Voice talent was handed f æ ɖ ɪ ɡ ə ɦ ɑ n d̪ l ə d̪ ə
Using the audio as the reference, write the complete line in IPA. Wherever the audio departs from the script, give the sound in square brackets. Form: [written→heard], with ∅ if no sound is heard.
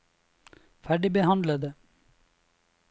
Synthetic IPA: f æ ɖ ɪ [ɡ→b] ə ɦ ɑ n d̪ l ə d̪ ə

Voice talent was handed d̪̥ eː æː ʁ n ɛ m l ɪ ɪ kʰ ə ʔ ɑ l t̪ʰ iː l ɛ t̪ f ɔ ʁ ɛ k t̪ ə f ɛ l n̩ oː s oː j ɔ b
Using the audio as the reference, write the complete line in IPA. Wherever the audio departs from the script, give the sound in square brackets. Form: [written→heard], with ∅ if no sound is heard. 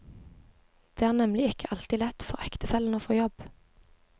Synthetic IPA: d̪̥ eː æː ʁ n ɛ m l ɪ ɪ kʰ ə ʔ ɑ l [t̪ʰ→t̪] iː l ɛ t̪ f ɔ ʁ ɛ k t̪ ə f ɛ l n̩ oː [s→f] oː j ɔ b

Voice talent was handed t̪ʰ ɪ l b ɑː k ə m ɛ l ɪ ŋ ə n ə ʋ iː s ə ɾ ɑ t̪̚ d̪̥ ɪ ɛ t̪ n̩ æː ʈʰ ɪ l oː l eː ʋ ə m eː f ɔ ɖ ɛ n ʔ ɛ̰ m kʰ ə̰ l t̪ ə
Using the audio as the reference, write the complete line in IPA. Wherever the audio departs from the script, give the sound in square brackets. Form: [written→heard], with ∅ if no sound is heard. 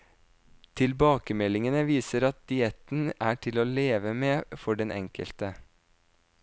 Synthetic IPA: t̪ʰ ɪ l b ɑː k ə m ɛ l ɪ ŋ ə n ə ʋ iː s ə ɾ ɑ t̪̚ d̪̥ ɪ ɛ t̪ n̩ æː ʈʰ ɪ l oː l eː ʋ ə m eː f ɔ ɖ ɛ n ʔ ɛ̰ [m→ŋ] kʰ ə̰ l t̪ ə

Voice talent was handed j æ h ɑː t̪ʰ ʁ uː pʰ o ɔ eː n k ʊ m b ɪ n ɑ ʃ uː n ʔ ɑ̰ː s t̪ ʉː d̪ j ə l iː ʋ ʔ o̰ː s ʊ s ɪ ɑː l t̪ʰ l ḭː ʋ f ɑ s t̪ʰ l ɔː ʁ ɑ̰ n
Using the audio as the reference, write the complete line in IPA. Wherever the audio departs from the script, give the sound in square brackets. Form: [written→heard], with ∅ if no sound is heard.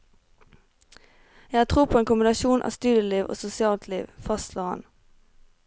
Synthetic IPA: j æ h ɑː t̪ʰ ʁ uː pʰ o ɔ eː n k ʊ m b ɪ n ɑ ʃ uː n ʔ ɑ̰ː s t̪ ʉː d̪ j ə l iː ʋ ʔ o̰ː s ʊ s ɪ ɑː l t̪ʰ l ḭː ʋ f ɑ s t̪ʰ l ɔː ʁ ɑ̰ n

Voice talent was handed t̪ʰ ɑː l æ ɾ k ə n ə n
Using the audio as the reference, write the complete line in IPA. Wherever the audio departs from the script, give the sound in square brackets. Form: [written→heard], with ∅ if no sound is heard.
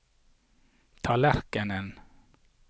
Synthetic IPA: t̪ʰ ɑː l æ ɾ k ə n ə n

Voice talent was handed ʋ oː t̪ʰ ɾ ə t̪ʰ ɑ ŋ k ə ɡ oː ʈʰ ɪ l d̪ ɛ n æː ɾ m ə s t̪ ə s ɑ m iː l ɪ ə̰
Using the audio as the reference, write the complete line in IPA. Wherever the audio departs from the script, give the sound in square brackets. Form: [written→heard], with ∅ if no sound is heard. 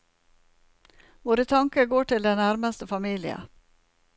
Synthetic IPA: ʋ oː [t̪ʰ→∅] ɾ ə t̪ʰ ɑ ŋ k ə ɡ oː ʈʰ ɪ l d̪ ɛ n [æː→æ] ɾ m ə s t̪ ə [s→f] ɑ m iː l ɪ ə̰

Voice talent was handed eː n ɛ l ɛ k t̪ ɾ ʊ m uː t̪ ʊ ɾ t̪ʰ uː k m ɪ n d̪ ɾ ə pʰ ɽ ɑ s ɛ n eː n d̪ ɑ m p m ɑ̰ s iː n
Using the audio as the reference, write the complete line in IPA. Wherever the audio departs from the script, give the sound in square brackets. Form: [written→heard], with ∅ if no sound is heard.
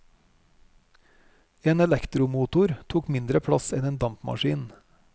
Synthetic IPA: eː n ɛ l ɛ k t̪ ɾ ʊ m uː t̪ ʊ ɾ t̪ʰ uː k m ɪ n d̪ ɾ ə pʰ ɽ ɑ s ɛ n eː n d̪ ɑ m p m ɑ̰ [s→ʃ] iː n

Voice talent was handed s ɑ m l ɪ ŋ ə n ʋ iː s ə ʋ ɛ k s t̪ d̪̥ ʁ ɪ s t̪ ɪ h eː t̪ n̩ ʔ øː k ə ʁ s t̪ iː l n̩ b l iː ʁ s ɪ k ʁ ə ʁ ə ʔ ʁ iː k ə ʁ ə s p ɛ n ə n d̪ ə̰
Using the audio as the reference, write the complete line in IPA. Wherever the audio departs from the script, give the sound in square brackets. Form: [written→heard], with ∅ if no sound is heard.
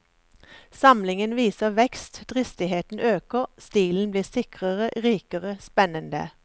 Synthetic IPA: s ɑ m l ɪ ŋ ə n ʋ iː s ə ʋ ɛ k s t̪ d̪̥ ʁ ɪ s t̪ ɪ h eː t̪ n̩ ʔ øː k ə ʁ s t̪ iː l n̩ b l iː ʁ s ɪ k ʁ ə ʁ ə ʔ ʁ iː k ə ʁ ə s p ɛ n ə n d̪ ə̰

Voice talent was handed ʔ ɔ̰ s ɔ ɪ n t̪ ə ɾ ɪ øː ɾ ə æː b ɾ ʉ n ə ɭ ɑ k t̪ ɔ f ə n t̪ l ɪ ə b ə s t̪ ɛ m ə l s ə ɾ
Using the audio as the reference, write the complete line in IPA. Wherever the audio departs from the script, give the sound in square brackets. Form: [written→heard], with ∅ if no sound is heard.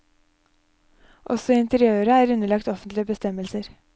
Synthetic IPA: ʔ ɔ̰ s ɔ ɪ n t̪ ə ɾ ɪ øː ɾ ə æː [b→∅] ɾ ʉ n ə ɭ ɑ k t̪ ɔ f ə n t̪ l ɪ ə b ə s t̪ ɛ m ə l s ə ɾ

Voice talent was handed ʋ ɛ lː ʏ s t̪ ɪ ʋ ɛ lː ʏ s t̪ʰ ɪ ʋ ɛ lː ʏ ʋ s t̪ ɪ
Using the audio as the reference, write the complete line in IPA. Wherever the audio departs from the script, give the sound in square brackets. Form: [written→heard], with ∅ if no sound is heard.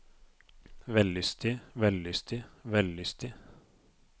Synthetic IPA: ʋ ɛ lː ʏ s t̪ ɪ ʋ ɛ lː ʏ s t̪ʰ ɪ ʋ ɛ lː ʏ [ʋ→∅] s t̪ ɪ

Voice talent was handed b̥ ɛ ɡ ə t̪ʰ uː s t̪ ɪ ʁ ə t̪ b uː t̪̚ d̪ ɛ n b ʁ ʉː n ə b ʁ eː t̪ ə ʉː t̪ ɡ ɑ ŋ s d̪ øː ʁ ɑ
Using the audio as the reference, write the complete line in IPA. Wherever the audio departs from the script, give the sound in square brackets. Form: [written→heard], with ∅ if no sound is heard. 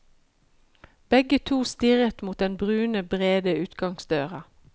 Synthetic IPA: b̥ ɛ ɡ ə t̪ʰ uː s t̪ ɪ ʁ ə t̪ [b→m] uː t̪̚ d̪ ɛ n b ʁ ʉː n ə b ʁ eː [t̪→d̪] ə ʉː t̪ ɡ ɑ ŋ s d̪ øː ʁ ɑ

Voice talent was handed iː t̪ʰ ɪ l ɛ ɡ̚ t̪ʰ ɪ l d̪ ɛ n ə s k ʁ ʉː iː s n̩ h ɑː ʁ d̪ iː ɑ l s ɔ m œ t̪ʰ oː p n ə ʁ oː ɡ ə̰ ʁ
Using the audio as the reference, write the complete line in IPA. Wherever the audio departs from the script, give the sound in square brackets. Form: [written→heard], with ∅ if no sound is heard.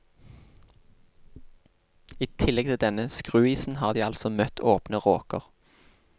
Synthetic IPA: iː t̪ʰ ɪ l ɛ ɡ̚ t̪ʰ ɪ l d̪ ɛ n ə s k ʁ ʉː iː s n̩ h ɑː ʁ d̪ iː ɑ l s ɔ m œ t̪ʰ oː p n ə ʁ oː [ɡ→k] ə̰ ʁ

